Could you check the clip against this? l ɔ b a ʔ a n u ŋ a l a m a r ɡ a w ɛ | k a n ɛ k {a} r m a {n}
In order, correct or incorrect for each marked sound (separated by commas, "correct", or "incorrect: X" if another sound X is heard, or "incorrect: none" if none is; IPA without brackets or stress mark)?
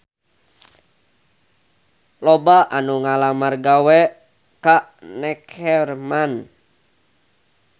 incorrect: ɛ, correct